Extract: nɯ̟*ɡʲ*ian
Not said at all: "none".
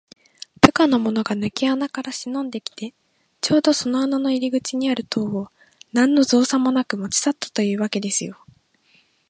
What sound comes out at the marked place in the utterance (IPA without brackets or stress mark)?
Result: kʲ